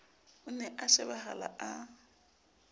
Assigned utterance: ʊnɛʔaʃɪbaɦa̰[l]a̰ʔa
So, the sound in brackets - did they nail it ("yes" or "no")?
yes